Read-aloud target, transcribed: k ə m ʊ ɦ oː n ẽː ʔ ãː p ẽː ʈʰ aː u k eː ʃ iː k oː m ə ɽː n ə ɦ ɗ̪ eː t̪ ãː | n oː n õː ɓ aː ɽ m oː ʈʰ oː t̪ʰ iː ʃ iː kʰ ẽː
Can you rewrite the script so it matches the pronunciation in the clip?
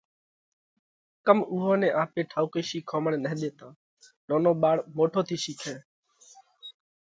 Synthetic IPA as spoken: k ə m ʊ ɦ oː n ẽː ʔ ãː p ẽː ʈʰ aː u k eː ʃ iː kʰ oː m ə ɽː n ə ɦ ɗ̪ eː t̪ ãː | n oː n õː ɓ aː ɽ m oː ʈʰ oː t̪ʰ iː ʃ iː kʰ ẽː